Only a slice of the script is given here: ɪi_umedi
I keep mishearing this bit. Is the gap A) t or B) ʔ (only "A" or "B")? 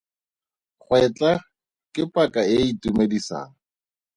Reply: A